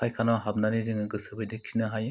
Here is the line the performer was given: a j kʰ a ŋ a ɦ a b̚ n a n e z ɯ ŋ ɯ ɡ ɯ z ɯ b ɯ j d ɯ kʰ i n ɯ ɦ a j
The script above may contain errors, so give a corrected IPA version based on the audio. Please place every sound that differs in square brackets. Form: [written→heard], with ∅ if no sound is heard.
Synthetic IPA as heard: a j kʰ a [ŋ→n] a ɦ a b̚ n a n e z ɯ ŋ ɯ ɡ ɯ [z→s] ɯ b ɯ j d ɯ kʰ i n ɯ ɦ a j